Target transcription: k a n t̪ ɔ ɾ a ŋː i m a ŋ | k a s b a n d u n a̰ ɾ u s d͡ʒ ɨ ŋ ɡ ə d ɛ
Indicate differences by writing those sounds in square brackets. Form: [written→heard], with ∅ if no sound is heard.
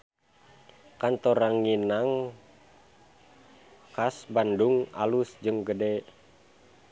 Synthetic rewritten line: k a n t̪ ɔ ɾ a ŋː i [m→n] a ŋ | k a s b a n d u [n→ŋ] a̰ [ɾ→l] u s d͡ʒ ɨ ŋ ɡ ə d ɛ